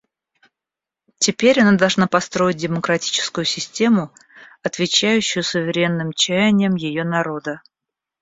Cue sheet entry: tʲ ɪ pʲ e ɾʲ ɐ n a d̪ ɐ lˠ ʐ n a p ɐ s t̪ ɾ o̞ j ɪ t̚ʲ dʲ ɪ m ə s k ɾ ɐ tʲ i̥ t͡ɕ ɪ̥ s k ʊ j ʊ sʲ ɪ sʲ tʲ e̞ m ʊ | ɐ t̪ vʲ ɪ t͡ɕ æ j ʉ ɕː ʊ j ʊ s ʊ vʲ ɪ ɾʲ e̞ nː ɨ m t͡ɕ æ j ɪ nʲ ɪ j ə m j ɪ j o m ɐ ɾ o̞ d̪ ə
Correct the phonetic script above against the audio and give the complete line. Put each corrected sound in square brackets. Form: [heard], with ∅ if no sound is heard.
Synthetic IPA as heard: tʲ ɪ pʲ e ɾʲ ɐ n a d̪ ɐ lˠ ʐ n a p ɐ s t̪ ɾ o̞ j ɪ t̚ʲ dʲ ɪ m ə [∅] k ɾ ɐ tʲ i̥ t͡ɕ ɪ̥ s k ʊ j ʊ sʲ ɪ sʲ tʲ e̞ m ʊ | ɐ t̪ vʲ ɪ t͡ɕ æ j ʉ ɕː ʊ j ʊ s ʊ vʲ ɪ ɾʲ e̞ nː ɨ m t͡ɕ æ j ɪ nʲ ɪ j ə m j ɪ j o [n] ɐ ɾ o̞ d̪ ə